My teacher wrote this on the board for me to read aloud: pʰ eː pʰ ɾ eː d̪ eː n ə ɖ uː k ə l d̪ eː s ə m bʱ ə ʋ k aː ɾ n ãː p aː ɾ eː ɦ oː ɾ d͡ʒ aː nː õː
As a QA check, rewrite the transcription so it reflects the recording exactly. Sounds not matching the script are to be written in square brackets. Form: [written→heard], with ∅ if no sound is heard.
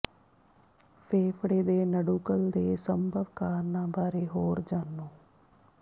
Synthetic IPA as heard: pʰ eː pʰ [ɾ→ɽ] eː d̪ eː n ə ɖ uː k ə l d̪ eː s ə m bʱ ə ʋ k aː ɾ n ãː [p→b] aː ɾ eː ɦ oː ɾ d͡ʒ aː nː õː